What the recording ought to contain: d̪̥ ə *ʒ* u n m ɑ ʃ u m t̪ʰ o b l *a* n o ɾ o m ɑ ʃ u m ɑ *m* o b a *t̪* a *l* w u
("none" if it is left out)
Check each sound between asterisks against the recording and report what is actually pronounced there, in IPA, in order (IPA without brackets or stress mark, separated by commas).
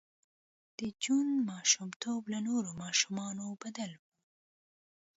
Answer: d͡ʒ, a, n, d̪, l